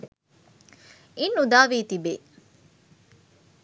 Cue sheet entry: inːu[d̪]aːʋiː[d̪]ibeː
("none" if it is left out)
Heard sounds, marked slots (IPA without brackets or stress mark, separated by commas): d̪, t̪